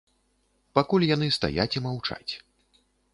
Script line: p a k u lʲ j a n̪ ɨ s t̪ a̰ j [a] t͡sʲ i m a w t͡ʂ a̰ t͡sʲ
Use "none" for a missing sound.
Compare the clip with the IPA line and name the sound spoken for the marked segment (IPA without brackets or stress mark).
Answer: a